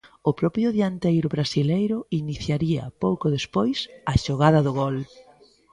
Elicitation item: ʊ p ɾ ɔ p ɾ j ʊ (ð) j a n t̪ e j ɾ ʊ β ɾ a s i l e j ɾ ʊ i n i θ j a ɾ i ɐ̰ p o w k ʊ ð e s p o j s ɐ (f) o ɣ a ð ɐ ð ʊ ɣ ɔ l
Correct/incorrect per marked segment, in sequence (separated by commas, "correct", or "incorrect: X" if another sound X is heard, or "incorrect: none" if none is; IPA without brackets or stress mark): correct, incorrect: ʃ